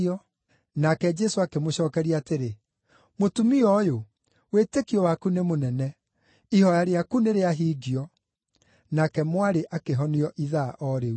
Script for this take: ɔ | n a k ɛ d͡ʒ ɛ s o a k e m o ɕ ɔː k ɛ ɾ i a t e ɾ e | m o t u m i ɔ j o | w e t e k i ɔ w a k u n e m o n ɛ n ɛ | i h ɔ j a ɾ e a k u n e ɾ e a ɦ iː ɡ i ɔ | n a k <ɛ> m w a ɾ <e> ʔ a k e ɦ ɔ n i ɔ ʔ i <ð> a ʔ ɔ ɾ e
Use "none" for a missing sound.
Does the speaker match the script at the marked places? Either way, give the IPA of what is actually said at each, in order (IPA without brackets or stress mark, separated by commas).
ɛ, e, ð